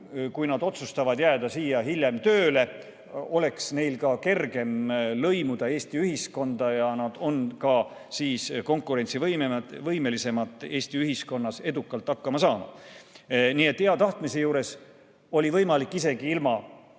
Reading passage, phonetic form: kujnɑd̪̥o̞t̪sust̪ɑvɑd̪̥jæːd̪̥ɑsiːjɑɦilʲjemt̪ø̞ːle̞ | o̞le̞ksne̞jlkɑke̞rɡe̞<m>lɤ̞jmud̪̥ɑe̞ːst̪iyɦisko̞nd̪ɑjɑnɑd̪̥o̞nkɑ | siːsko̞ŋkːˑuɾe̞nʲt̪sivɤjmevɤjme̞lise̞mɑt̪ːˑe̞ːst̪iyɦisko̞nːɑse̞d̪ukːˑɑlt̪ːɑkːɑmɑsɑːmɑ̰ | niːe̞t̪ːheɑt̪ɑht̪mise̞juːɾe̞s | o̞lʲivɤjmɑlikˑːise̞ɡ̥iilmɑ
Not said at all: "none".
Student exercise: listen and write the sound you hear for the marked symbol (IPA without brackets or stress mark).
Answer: m